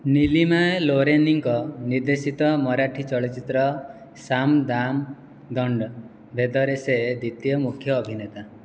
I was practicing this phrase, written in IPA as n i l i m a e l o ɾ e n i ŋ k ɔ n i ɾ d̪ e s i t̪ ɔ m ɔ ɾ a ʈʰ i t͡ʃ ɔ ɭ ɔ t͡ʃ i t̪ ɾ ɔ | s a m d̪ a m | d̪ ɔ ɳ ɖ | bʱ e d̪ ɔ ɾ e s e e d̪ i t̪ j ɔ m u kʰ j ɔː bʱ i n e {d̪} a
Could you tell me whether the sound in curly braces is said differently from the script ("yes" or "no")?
yes